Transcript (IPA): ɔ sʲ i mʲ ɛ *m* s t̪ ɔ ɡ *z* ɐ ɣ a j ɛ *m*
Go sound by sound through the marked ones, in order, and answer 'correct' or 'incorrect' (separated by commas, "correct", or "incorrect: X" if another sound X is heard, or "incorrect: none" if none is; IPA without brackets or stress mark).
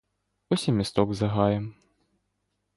incorrect: none, correct, correct